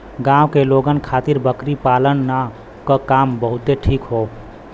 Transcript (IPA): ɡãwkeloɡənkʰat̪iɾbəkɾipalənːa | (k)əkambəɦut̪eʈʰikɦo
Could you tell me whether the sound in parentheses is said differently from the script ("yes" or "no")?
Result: no